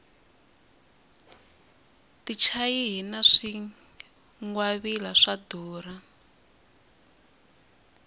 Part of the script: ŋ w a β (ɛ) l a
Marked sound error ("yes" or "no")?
yes